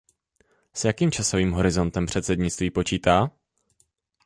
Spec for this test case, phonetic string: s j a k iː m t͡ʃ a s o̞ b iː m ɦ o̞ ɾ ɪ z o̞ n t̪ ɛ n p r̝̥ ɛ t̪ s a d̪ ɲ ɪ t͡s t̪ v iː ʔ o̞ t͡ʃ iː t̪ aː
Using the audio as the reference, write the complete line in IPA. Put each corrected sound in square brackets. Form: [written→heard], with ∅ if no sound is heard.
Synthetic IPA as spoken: s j a k iː m t͡ʃ a s o̞ [b→v] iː m ɦ o̞ ɾ ɪ z o̞ n t̪ ɛ [n→m] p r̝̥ ɛ t̪ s [a→ɛ] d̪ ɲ ɪ t͡s t̪ v iː [ʔ→p] o̞ t͡ʃ iː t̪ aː